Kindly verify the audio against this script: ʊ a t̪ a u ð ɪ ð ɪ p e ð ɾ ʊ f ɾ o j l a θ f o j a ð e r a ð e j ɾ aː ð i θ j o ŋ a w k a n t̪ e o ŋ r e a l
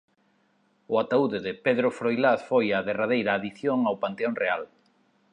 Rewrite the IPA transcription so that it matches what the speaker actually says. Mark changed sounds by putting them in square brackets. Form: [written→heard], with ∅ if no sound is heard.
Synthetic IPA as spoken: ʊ a t̪ a u ð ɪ ð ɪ p e ð ɾ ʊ f ɾ o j l a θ f o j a ð e r a ð e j ɾ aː ð i θ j o ŋ a w [k→p] a n t̪ e o ŋ r e a l